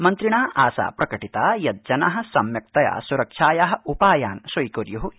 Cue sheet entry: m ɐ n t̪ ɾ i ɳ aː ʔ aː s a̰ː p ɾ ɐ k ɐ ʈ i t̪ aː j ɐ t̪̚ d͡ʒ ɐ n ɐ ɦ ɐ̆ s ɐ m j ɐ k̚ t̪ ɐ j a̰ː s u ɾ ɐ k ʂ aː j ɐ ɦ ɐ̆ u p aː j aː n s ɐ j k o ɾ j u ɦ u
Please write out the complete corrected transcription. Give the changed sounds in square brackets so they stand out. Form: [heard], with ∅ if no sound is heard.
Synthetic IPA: m ɐ n t̪ ɾ i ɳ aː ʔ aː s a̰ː p ɾ ɐ k ɐ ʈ i t̪ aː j ɐ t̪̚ d͡ʒ ɐ n ɐ ɦ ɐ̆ s ɐ m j ɐ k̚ t̪ ɐ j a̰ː s u ɾ ɐ k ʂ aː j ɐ ɦ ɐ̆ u p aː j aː n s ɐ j k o ɾ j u ɦ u